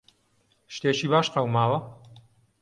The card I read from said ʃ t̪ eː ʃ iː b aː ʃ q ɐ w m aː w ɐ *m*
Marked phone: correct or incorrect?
incorrect